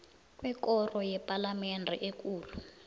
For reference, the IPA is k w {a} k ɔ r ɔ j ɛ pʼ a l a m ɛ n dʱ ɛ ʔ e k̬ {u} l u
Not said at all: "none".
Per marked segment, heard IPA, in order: ɛ, uː

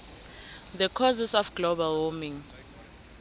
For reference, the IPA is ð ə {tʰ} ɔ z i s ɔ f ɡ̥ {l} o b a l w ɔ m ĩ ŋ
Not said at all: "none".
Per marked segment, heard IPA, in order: kʰ, l

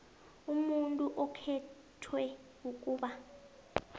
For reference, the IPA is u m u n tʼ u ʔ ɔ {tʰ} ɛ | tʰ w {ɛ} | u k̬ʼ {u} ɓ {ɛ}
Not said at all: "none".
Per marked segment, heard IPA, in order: kʰ, ɛ, uː, a

